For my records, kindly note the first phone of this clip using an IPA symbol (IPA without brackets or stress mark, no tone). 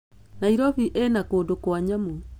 n